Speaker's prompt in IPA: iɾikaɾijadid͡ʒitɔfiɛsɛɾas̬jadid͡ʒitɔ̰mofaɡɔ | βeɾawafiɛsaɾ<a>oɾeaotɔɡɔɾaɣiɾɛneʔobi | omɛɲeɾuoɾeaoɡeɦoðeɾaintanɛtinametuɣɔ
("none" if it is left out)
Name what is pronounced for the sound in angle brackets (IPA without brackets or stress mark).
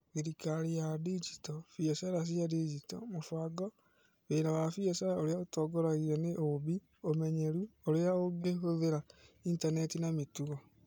a